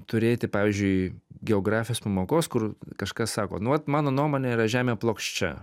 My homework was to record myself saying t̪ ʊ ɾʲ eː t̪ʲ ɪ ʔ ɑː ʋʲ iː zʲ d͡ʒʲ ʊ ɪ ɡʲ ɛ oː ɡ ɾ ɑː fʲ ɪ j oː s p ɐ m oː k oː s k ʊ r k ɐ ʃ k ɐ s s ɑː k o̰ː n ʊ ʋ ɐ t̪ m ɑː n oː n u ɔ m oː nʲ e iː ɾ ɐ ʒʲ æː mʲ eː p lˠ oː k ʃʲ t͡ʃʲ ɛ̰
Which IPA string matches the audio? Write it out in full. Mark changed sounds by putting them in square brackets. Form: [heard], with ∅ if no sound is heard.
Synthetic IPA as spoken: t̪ ʊ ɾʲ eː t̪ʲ ɪ [p] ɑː ʋʲ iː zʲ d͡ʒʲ ʊ ɪ ɡʲ ɛ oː ɡ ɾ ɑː fʲ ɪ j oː s p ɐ m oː k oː s k ʊ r k ɐ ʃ k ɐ s s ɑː k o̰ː n ʊ ʋ ɐ t̪ m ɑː n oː n u ɔ m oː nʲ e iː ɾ ɐ ʒʲ æː mʲ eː p lˠ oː k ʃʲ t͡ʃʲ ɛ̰